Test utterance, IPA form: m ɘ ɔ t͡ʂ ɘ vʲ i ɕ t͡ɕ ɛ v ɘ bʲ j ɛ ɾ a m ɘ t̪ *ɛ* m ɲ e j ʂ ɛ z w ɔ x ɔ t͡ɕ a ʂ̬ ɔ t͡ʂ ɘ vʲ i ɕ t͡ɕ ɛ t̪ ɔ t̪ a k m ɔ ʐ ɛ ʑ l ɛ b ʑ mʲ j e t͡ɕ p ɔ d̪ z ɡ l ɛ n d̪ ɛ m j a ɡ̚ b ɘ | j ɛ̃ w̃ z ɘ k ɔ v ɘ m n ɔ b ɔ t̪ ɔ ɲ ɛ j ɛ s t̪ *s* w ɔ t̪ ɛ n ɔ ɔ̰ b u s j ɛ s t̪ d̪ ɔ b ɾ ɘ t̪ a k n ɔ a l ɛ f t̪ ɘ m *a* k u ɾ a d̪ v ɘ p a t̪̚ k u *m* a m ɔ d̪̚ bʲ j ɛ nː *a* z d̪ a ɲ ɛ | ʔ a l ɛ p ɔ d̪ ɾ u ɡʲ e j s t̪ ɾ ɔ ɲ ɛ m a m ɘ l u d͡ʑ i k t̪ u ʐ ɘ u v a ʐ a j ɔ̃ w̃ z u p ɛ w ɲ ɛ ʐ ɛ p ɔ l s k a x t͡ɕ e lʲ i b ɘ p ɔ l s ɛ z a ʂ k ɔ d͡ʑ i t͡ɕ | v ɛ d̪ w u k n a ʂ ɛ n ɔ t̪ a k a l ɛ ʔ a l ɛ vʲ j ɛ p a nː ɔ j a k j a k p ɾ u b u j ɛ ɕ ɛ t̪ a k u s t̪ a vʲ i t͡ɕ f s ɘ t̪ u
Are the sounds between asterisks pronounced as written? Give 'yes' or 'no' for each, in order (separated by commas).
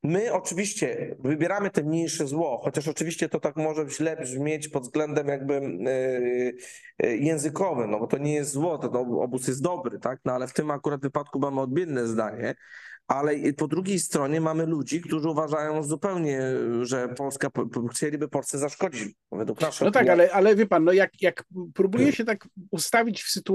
yes, no, yes, yes, no